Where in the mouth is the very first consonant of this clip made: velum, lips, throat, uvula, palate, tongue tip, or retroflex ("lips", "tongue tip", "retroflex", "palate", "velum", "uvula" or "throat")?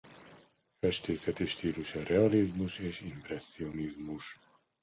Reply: lips